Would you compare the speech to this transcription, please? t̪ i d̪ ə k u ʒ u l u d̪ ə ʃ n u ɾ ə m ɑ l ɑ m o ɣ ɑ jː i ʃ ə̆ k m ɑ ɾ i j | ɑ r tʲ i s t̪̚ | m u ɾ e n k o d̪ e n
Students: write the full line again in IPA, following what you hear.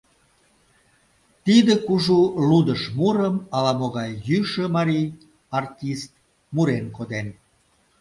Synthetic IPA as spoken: t̪ i d̪ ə k u ʒ u l u d̪ ə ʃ m u ɾ ə m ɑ l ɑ m o ɣ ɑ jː y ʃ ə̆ m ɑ ɾ i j | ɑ r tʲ i s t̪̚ | m u ɾ e n k o d̪ e n